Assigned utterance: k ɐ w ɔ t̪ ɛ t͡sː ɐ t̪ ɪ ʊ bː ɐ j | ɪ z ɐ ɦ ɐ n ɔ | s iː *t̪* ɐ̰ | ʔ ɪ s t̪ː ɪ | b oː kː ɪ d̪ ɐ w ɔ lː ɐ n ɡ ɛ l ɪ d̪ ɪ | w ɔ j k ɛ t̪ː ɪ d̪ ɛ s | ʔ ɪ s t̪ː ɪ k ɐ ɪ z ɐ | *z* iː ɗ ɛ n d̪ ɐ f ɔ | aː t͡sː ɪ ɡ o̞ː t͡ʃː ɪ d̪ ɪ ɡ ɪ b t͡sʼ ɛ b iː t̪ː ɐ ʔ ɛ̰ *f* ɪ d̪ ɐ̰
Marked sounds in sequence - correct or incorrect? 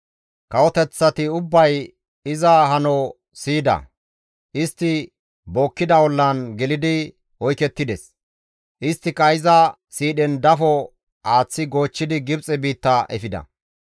incorrect: d̪, incorrect: s, correct

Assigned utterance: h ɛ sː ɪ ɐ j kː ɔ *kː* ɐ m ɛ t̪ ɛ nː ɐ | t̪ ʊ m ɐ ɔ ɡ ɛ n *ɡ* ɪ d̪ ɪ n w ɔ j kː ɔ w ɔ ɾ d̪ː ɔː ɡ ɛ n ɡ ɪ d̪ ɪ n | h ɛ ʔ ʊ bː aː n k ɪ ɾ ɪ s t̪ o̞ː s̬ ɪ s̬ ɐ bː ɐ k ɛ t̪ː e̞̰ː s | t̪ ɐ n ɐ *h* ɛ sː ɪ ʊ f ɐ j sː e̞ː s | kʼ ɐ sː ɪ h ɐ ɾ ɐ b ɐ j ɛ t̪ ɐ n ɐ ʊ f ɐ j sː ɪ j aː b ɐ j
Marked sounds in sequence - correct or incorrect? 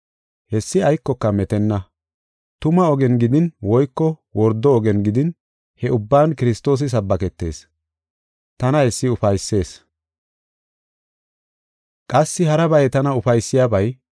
correct, correct, correct

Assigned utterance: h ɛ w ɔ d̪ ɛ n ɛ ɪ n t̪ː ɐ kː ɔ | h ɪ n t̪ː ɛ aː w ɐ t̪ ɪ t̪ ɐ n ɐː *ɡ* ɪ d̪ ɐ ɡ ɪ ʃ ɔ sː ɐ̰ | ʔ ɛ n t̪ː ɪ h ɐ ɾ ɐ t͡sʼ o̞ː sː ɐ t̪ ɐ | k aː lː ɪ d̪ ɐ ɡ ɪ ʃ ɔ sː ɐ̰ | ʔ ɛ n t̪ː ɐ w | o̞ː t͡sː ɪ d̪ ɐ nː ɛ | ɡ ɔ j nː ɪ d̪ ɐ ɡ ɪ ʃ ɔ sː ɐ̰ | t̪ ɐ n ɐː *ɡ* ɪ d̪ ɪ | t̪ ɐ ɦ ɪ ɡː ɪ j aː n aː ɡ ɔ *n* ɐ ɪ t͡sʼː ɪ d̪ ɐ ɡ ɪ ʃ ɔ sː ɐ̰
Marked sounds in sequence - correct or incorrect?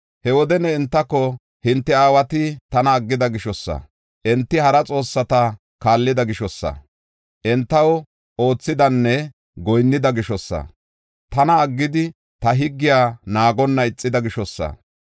incorrect: ɡː, incorrect: ɡː, incorrect: nː

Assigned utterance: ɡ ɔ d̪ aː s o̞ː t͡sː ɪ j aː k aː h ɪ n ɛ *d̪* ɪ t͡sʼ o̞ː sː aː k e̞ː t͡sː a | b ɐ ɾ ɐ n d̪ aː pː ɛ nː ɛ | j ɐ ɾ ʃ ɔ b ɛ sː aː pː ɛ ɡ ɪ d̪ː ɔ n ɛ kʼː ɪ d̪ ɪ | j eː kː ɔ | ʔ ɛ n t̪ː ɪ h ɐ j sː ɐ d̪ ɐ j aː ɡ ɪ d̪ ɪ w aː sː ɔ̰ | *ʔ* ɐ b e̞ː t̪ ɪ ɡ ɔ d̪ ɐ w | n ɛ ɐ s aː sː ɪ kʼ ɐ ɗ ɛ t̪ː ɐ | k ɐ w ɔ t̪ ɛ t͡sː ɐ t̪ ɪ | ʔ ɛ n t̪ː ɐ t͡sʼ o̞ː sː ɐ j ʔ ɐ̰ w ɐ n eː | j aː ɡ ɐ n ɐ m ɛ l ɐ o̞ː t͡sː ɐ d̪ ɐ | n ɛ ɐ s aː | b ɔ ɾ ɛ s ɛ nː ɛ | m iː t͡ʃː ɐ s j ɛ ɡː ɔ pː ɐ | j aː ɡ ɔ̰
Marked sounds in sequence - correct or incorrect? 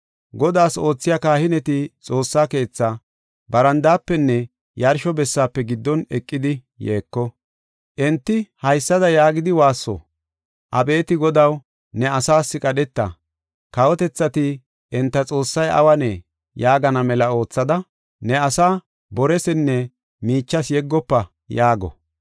incorrect: t̪, correct

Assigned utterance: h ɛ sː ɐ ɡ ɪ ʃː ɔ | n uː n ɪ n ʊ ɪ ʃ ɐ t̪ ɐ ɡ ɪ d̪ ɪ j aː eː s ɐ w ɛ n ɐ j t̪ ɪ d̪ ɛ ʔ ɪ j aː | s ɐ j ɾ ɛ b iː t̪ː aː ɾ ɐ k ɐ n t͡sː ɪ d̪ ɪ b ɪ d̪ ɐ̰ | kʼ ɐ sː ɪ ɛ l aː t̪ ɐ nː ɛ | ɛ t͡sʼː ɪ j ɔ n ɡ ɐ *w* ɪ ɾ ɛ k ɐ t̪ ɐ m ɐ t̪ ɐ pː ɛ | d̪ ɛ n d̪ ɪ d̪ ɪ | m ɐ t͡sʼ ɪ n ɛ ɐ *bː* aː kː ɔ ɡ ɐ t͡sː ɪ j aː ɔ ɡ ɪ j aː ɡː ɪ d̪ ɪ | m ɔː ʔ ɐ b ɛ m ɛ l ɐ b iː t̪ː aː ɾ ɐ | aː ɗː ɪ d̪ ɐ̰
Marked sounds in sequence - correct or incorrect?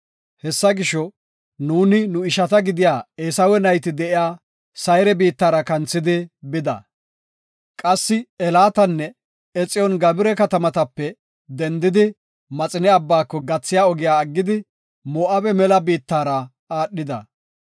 incorrect: b, correct

